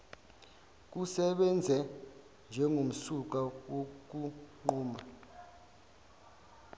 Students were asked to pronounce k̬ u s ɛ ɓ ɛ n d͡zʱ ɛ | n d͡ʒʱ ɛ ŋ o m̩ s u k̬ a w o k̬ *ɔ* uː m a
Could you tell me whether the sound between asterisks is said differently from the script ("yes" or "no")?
yes